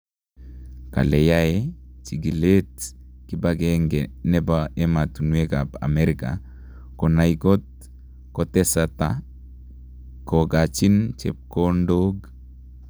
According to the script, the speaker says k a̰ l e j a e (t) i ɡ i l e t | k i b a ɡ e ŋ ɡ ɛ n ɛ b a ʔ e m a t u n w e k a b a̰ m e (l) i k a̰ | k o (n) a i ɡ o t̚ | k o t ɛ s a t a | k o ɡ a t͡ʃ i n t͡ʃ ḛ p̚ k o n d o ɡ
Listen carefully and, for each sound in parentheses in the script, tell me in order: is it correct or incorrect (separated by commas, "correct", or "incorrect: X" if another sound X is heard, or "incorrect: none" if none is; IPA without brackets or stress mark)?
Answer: incorrect: t͡ʃ, incorrect: ɾ, correct